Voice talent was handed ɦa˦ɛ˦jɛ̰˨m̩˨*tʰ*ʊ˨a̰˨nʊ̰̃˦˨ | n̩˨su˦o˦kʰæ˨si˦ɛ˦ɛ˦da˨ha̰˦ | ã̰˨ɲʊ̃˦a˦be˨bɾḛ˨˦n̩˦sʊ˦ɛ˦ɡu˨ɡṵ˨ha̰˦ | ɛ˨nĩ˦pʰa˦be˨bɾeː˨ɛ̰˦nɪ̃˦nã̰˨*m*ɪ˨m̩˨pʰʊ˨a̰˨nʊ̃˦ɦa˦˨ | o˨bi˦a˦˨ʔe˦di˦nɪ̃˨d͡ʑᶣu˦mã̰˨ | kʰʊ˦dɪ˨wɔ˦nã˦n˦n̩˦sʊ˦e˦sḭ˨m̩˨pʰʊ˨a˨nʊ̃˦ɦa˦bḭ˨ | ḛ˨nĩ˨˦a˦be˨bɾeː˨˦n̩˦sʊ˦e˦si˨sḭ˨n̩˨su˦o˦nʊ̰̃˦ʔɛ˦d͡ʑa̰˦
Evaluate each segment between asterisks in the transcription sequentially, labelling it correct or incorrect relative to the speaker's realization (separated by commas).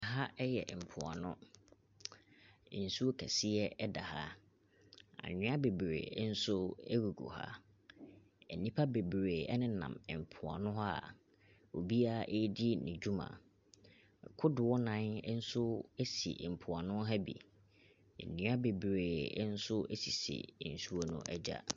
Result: incorrect, correct